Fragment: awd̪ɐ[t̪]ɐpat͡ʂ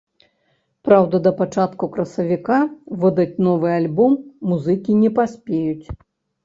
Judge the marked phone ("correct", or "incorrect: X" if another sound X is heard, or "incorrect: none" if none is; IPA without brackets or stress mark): incorrect: d̪